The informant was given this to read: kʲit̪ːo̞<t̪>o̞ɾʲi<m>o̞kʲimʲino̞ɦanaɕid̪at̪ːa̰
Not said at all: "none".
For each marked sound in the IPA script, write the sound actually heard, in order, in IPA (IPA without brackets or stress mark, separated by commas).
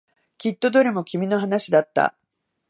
d̪, m